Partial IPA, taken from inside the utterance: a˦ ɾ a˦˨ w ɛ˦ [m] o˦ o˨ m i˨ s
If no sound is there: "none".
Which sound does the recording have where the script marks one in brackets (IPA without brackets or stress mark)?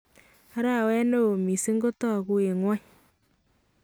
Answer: n